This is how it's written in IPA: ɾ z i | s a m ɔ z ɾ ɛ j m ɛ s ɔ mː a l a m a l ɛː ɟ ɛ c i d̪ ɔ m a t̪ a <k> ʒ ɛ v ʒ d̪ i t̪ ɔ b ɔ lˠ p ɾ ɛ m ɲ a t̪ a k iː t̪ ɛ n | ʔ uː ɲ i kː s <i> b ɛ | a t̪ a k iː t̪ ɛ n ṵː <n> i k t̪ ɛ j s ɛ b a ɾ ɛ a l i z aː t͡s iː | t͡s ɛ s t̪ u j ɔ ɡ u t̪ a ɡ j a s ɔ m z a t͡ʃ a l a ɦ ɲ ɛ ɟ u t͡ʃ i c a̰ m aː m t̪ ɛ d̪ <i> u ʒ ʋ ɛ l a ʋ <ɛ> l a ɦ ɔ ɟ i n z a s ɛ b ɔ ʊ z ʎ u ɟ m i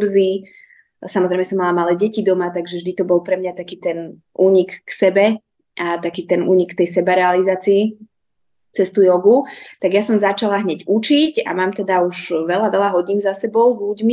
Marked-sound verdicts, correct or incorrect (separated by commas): incorrect, incorrect, incorrect, incorrect, correct